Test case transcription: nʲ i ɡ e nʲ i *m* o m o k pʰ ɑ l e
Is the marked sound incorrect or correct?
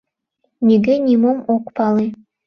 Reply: correct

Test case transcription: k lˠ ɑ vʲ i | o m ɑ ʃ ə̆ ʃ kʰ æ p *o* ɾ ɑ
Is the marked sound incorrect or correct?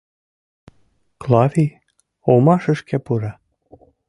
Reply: incorrect: u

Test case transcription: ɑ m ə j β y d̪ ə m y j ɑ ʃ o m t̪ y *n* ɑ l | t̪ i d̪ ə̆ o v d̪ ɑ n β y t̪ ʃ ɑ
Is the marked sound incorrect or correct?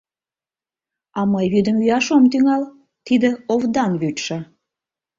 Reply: incorrect: ŋ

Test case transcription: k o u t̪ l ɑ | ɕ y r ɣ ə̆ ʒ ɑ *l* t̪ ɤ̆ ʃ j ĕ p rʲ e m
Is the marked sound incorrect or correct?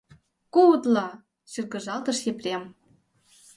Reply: correct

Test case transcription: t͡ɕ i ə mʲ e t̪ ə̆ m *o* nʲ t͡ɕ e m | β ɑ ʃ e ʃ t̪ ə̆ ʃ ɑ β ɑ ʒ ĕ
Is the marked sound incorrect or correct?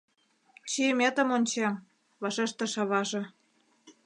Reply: correct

